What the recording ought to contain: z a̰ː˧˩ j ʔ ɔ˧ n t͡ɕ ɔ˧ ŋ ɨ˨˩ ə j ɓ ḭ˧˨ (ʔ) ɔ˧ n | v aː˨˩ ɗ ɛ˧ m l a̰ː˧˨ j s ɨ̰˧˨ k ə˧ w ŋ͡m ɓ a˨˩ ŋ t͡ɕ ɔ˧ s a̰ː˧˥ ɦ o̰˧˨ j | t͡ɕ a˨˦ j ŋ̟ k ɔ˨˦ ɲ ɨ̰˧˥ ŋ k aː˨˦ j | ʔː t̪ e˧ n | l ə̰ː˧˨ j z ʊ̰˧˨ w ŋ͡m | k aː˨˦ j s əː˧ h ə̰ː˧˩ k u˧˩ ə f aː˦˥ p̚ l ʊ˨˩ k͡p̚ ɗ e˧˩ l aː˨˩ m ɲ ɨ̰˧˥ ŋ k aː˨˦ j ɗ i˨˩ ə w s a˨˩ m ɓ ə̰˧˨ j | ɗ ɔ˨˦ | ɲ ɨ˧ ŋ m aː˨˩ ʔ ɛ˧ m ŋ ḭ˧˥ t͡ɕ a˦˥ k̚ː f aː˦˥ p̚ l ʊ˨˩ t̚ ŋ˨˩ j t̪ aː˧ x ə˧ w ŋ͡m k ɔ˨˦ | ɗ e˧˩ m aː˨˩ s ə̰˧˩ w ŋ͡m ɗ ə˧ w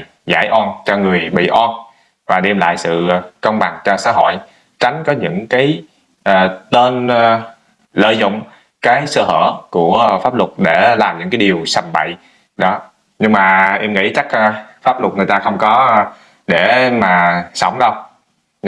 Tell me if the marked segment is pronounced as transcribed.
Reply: yes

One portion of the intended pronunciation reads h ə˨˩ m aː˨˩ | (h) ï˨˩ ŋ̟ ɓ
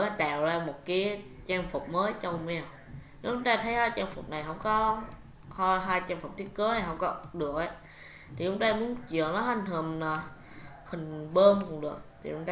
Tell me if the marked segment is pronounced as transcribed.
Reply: yes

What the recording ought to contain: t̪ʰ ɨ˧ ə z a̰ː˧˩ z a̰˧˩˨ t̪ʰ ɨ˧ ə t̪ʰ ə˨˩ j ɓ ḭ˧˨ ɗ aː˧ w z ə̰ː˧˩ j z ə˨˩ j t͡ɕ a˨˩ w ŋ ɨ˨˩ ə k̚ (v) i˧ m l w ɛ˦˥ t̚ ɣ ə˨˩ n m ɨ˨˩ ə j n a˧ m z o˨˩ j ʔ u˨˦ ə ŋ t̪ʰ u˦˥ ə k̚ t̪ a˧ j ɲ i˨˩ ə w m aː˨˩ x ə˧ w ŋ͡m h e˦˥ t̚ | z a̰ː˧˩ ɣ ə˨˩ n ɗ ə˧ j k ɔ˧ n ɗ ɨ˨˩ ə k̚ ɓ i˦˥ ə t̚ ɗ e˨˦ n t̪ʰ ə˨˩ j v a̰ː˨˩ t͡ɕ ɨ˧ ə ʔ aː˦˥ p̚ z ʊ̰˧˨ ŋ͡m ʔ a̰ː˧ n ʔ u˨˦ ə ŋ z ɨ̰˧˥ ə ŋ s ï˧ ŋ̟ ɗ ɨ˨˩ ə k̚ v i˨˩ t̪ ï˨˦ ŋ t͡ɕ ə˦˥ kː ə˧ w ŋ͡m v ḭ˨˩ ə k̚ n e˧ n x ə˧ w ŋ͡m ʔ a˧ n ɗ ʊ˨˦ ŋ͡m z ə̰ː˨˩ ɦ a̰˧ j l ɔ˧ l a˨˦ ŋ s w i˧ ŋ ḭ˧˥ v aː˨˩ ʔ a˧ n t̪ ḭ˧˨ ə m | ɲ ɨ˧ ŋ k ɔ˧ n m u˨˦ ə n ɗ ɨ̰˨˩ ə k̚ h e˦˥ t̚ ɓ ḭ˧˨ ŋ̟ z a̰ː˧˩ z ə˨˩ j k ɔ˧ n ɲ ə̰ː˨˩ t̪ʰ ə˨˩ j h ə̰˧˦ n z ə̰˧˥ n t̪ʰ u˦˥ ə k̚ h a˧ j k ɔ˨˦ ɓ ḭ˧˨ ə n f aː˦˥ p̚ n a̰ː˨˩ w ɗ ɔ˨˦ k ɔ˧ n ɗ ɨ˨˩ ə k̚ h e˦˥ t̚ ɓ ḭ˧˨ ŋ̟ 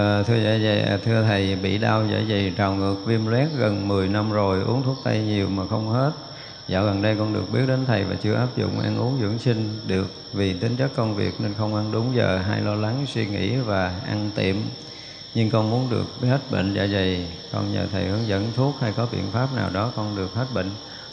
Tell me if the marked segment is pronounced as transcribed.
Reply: yes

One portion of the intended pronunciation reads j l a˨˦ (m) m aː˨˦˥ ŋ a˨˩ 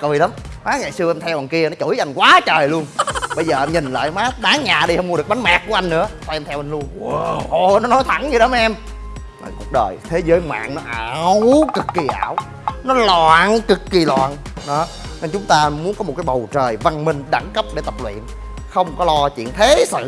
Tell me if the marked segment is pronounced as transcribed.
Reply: yes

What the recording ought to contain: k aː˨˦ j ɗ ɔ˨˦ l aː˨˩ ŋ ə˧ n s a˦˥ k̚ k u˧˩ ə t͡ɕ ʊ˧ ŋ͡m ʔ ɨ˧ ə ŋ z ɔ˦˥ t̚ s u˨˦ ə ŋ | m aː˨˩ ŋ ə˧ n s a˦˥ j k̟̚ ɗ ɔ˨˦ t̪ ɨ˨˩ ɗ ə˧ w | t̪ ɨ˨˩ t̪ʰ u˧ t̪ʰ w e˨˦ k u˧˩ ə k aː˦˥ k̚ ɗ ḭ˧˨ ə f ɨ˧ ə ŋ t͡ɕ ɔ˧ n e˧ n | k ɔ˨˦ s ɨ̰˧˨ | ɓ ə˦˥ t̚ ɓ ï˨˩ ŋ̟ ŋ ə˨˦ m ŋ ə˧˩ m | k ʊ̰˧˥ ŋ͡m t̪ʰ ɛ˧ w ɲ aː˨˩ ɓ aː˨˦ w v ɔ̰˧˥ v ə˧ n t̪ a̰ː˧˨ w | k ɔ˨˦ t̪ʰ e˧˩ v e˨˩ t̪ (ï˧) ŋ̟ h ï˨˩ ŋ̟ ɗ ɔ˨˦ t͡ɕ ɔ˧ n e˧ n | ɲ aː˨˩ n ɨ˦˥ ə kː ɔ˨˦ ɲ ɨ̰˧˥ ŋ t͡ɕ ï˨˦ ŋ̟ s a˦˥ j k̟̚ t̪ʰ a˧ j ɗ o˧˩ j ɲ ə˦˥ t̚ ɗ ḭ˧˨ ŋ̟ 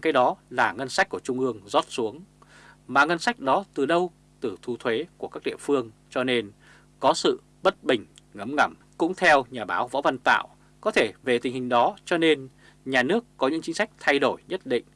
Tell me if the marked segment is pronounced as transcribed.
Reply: no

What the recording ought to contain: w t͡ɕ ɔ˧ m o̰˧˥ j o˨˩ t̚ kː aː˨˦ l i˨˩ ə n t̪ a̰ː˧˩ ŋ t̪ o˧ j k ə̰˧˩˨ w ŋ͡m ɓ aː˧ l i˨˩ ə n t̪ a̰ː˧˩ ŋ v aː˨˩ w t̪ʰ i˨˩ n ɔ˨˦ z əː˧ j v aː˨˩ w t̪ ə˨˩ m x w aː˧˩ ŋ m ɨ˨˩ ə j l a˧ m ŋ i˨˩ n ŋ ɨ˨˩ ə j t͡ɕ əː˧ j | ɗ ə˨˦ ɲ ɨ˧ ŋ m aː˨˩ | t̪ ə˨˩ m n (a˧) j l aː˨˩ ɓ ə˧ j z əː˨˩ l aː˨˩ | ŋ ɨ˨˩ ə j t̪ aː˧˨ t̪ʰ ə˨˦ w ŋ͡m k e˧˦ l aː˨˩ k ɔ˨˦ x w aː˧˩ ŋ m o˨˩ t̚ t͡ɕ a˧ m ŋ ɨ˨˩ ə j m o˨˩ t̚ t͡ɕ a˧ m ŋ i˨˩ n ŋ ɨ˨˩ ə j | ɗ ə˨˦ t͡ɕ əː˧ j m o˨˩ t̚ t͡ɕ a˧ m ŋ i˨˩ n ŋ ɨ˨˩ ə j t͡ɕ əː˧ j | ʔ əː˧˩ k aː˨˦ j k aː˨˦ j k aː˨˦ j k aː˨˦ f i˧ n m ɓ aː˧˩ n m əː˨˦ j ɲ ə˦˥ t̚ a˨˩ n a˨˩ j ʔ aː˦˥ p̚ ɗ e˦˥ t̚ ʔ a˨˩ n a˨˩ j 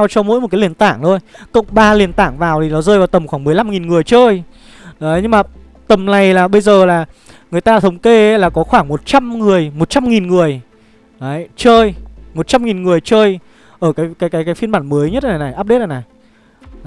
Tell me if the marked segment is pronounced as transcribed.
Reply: no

